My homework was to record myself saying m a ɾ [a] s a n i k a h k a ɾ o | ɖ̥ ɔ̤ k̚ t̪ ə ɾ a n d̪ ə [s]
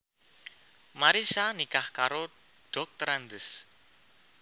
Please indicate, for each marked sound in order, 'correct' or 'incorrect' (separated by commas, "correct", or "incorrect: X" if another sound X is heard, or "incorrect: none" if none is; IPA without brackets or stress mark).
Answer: incorrect: i, correct